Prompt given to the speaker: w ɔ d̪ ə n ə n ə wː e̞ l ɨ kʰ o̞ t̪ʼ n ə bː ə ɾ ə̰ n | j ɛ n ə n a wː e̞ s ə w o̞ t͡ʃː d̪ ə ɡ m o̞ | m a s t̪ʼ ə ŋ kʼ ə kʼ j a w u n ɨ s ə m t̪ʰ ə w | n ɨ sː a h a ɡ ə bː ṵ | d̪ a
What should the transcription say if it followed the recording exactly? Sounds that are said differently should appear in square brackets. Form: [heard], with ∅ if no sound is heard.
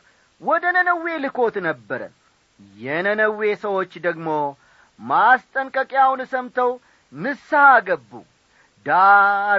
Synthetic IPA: w ɔ d̪ ə n ə n ə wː e̞ l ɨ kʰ o̞ [t̪] n ə bː ə ɾ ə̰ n | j ɛ n ə n [ə] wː e̞ s ə w o̞ t͡ʃː d̪ ə ɡ m o̞ | m a s t̪ʼ ə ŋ kʼ ə kʼ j a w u n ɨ s ə m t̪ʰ ə w | n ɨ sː a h a ɡ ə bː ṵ | d̪ a